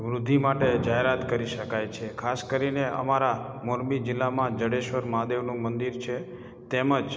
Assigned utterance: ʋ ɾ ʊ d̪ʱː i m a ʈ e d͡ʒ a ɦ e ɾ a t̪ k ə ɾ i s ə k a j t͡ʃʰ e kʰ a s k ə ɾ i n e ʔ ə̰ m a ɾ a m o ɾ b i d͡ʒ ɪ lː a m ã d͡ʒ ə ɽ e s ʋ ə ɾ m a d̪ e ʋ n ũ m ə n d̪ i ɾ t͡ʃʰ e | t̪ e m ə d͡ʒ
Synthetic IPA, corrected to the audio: ʋ ɾ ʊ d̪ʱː i m a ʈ e d͡ʒ a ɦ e ɾ a t̪ k ə ɾ i ʃ ə k a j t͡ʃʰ e kʰ a s k ə ɾ i n e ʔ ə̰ m a ɾ a m o ɾ b i d͡ʒ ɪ lː a m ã d͡ʒ ə ɽ e ʃ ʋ ə ɾ m a d̪ e ʋ n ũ m ə n d̪ i ɾ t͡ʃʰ e | t̪ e m ə d͡ʒ